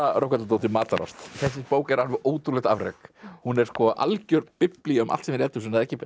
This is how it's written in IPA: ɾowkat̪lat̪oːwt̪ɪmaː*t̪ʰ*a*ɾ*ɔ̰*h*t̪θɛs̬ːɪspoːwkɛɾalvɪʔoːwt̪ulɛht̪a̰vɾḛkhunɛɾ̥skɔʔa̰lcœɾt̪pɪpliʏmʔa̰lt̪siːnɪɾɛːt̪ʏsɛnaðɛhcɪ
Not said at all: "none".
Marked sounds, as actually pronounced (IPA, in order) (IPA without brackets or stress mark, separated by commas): t̪, ɾ, s